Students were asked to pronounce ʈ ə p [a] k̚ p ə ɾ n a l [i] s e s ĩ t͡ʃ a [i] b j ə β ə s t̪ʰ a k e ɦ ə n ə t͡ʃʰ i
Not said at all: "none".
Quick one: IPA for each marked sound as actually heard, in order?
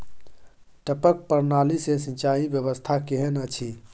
ə, i, i

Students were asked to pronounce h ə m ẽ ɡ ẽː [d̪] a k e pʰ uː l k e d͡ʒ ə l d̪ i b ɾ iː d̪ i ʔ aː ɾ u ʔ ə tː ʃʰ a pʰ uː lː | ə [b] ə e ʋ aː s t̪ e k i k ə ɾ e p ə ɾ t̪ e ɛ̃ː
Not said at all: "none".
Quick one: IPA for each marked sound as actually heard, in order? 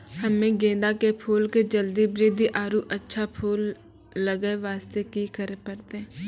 d̪, ɡ

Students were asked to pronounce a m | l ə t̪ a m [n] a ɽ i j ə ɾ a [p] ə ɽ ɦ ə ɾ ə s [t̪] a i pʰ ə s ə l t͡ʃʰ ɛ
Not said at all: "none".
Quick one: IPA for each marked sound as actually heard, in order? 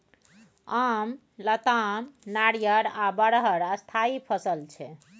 n, b, t̪ʰ

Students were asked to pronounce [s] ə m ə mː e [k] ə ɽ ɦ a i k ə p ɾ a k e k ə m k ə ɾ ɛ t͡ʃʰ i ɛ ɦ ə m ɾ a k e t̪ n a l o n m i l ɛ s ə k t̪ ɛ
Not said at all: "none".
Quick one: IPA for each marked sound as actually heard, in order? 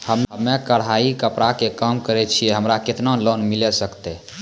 h, k

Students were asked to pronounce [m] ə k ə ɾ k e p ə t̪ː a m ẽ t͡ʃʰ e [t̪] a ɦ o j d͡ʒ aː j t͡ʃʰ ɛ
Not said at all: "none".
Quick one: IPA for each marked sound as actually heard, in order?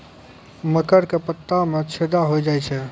m, d̪

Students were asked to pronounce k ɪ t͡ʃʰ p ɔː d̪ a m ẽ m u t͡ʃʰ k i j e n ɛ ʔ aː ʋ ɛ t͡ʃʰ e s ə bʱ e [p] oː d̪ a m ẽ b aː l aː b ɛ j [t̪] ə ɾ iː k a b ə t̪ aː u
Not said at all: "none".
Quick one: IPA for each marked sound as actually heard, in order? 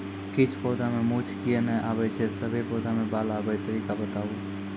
p, t̪

